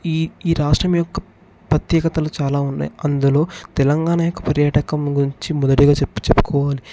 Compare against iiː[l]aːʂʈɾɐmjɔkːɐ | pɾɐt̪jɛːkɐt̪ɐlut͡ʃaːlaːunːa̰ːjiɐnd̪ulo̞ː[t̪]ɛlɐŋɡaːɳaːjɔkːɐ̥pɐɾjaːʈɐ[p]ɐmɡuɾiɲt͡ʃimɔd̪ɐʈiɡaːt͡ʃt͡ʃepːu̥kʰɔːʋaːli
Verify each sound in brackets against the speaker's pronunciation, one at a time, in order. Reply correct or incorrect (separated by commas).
incorrect, correct, incorrect